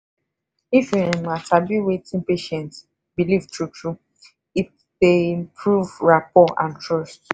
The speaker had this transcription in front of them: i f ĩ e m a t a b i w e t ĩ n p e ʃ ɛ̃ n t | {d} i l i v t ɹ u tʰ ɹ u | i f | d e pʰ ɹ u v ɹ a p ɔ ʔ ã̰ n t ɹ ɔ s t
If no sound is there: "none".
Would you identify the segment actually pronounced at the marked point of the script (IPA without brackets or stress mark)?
b